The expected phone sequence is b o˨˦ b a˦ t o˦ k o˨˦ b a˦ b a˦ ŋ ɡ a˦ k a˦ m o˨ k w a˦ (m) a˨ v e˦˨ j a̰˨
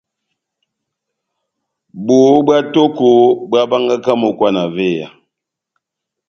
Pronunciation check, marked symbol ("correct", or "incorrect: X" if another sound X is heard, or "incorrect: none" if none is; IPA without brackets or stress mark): incorrect: n